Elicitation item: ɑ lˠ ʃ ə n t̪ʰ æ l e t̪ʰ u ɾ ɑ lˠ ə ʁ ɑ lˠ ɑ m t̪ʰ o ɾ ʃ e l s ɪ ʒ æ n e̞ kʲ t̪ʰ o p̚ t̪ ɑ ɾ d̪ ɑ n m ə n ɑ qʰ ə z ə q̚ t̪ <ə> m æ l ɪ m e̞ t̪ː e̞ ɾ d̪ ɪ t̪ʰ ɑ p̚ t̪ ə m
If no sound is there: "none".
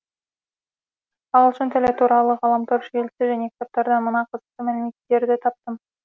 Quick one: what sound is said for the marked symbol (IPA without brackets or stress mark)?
ə